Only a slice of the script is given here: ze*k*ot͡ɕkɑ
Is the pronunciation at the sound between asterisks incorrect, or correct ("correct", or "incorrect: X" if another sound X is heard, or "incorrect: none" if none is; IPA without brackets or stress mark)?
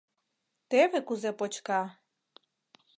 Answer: incorrect: p